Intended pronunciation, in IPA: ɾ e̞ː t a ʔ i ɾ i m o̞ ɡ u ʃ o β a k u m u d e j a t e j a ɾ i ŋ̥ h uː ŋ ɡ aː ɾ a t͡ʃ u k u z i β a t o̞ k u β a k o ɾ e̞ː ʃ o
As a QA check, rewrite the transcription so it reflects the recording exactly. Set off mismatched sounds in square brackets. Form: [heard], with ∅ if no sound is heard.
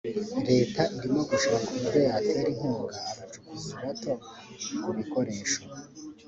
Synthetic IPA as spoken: ɾ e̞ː t a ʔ i ɾ i m o̞ ɡ u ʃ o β a k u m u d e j a t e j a ɾ i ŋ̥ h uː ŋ ɡ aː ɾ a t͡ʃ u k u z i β a t o̞ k u β [i] k o ɾ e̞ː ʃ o

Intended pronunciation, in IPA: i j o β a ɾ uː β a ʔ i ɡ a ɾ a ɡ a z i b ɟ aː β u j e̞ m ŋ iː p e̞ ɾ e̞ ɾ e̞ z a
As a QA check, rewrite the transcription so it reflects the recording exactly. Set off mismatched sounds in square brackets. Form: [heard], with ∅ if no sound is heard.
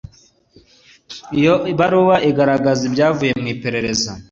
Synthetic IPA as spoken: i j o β a ɾ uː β a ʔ i ɡ a ɾ a ɡ a z i b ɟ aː [v] u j e̞ m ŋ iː p e̞ ɾ e̞ ɾ e̞ z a

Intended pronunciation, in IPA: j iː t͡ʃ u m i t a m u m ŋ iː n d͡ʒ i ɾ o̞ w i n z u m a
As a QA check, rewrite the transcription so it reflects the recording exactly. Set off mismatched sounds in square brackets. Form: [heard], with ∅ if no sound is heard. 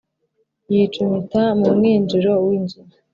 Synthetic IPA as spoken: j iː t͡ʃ u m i t a m u m ŋ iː n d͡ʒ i ɾ o̞ w i n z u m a

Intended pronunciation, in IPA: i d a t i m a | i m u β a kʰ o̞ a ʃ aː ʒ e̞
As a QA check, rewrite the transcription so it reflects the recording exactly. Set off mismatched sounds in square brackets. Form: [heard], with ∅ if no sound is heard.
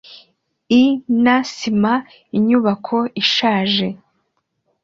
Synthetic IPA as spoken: i [n] a [s] i m a | i [ɲ] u β a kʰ o̞ [i] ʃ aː ʒ e̞

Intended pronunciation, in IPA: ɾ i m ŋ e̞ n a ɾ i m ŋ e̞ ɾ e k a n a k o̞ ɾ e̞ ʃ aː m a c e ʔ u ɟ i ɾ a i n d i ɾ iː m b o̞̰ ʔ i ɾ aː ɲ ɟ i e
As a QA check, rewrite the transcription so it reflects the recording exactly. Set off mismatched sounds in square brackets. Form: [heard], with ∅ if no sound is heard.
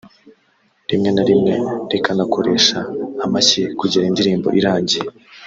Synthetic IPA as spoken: ɾ i m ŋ e̞ n a ɾ i m ŋ e̞ ɾ e k a n a k o̞ ɾ e̞ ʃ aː m a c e [k] u ɟ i ɾ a i n d i ɾ iː m b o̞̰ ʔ i ɾ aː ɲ ɟ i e

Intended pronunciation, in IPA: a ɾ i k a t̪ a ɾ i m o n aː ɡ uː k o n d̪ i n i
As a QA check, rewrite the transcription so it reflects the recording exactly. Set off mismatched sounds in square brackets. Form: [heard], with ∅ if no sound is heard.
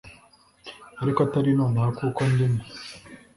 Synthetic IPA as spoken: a ɾ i k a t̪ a ɾ i [n] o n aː [k] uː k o n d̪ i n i

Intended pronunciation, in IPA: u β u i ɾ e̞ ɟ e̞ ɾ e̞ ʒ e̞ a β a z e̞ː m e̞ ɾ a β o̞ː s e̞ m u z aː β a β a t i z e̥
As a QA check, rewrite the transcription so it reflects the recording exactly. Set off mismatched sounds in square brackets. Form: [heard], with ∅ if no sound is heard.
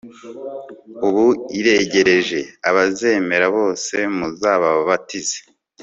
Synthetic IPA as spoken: u β u i ɾ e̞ ɟ e̞ ɾ e̞ ʒ e̞ a β a z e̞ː m e̞ ɾ a β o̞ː s e̞ m u z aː β a β a t i z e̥

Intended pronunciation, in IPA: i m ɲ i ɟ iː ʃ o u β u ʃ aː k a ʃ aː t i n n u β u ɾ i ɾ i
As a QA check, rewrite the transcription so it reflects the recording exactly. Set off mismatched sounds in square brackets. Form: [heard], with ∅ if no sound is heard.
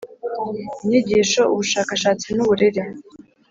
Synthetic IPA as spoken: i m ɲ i ɟ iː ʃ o u β u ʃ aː k a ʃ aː [t͡s] i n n u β u ɾ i ɾ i

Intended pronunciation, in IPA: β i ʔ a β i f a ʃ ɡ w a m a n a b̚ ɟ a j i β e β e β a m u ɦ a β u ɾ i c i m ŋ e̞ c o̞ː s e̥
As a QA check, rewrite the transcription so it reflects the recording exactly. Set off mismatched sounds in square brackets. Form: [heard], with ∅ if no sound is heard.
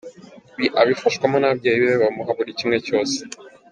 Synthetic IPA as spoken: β i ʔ a β i f a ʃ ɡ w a m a n a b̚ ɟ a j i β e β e β a m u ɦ a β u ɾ i c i m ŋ e̞ c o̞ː s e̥

